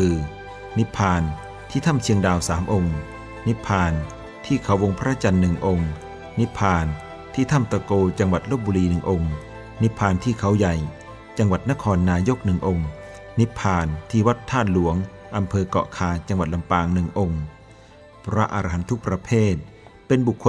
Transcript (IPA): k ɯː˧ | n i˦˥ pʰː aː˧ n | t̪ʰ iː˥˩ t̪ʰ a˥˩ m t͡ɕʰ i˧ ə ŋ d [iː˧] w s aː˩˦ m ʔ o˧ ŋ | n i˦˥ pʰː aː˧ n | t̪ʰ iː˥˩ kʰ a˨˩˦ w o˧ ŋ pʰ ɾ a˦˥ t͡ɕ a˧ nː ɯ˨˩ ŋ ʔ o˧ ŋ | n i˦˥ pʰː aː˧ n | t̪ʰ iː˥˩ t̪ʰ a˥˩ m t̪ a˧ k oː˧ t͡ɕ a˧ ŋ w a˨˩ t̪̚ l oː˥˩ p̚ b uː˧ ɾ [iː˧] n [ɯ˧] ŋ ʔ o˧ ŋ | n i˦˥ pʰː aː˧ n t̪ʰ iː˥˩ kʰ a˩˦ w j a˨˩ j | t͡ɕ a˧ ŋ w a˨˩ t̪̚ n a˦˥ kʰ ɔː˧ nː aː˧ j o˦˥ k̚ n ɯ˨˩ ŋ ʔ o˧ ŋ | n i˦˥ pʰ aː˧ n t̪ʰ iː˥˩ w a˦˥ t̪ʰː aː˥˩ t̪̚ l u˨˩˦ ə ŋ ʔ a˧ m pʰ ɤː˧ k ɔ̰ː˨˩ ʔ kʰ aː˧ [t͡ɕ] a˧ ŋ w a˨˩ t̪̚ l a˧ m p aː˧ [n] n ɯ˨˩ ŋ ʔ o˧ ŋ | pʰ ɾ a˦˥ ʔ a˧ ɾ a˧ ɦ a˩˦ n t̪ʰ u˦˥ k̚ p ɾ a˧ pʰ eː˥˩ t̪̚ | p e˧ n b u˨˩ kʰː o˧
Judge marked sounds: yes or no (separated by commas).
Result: no, yes, no, yes, no